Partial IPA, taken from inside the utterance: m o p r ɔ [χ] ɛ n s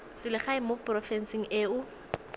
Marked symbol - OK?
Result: no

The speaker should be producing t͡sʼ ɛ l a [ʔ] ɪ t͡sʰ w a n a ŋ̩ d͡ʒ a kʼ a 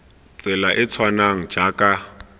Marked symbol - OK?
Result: yes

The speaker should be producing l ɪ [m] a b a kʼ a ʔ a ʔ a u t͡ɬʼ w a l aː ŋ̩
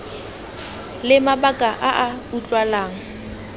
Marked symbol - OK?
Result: yes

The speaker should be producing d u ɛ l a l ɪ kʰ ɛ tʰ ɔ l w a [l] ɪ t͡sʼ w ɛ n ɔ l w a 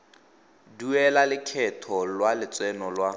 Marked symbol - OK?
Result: yes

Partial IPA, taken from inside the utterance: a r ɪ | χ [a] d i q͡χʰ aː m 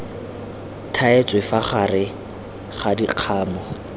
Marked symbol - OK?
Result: yes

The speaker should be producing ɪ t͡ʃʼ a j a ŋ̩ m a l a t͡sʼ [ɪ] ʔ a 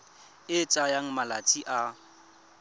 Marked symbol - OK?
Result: no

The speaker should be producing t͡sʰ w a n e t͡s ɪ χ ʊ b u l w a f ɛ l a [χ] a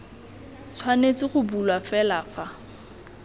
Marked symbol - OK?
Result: no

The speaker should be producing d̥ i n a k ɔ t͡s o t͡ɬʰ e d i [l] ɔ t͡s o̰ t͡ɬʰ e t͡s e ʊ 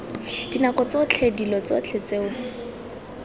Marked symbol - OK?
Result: yes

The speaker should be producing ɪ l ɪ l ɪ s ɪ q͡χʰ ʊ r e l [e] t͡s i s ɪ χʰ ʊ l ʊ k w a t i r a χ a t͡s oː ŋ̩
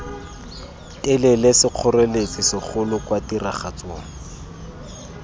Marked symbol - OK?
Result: yes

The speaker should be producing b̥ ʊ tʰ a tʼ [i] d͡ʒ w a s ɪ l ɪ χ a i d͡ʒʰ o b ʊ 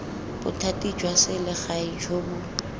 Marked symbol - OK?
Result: yes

